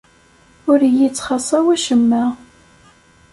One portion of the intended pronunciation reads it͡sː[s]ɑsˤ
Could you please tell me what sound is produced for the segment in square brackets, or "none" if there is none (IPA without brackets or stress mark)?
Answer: χ